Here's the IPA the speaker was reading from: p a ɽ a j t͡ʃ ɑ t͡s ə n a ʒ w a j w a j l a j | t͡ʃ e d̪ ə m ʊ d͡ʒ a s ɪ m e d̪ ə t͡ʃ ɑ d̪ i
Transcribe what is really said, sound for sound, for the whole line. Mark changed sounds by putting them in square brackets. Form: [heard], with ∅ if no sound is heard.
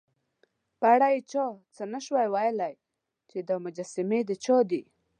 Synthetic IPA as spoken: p a ɽ a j t͡ʃ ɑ t͡s ə n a [ʃ] w a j w a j l a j | t͡ʃ e d̪ ə m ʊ d͡ʒ a s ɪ m e d̪ ə t͡ʃ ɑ d̪ i